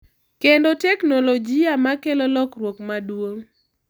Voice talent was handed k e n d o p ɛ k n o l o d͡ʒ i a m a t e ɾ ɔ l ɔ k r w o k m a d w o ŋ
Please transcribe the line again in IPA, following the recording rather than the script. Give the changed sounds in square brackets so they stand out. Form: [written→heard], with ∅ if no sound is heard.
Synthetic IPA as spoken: k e n d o [p→t] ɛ k n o l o d͡ʒ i a m a [t→k] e [ɾ→l] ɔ l ɔ k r w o k m a d w o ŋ